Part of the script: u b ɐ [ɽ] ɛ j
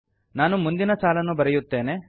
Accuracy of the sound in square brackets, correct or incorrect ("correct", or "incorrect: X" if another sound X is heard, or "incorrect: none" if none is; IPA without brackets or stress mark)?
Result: incorrect: ɾ